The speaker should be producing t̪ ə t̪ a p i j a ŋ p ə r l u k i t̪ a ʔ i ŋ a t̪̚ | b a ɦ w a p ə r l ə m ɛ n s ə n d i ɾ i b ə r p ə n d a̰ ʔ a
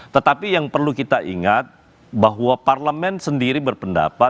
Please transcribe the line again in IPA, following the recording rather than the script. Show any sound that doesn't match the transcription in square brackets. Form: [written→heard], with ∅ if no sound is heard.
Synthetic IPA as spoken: t̪ ə t̪ a p i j a ŋ p ə r l u k i t̪ a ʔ i ŋ a t̪̚ | b a ɦ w a p [ə→a] r l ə m ɛ n s ə n d i ɾ i b ə r p ə n d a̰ [ʔ→p] a